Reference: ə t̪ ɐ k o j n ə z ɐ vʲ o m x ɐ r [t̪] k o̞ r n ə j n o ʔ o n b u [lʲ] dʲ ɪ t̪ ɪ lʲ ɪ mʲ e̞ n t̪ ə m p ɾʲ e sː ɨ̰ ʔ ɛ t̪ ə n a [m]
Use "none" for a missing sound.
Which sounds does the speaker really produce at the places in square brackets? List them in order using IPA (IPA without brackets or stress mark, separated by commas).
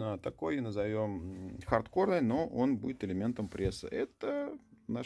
t̪, none, none